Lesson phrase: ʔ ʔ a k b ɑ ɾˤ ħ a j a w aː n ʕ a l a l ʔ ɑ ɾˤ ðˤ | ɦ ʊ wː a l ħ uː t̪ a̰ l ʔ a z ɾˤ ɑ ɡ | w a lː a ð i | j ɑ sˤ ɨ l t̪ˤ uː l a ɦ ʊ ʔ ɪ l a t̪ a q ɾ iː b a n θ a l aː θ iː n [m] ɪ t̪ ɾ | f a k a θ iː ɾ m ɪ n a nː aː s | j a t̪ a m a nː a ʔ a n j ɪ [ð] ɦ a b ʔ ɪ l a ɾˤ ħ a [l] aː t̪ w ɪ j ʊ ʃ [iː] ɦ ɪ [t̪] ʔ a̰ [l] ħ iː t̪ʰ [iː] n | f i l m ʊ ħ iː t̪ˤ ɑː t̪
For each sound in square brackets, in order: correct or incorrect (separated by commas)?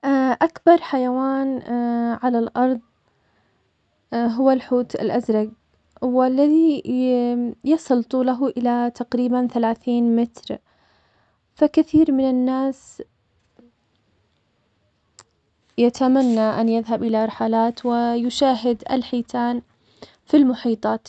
correct, correct, correct, incorrect, incorrect, correct, incorrect